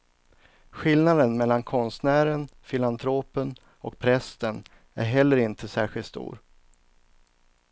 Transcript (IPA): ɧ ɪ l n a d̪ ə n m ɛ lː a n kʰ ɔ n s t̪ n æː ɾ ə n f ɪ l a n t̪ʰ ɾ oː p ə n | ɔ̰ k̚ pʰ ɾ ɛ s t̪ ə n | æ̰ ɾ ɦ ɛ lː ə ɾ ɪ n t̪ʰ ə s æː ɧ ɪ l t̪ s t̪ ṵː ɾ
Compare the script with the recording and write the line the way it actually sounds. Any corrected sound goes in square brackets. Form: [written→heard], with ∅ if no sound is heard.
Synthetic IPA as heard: ɧ ɪ l n a d̪ ə n m ɛ lː a n kʰ ɔ n s t̪ n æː ɾ ə n f ɪ l a n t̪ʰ ɾ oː p ə n | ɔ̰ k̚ pʰ ɾ ɛ s t̪ ə n | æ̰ ɾ ɦ ɛ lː ə ɾ ɪ n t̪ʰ ə s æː ɧ ɪ l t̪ s t̪ ṵː ɾ